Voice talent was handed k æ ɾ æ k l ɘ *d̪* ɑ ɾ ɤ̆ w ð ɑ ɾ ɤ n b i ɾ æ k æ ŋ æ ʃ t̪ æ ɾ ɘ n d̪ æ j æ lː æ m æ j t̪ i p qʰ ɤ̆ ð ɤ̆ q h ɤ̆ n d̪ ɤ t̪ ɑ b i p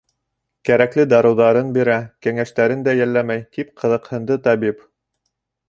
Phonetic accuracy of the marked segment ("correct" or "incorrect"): correct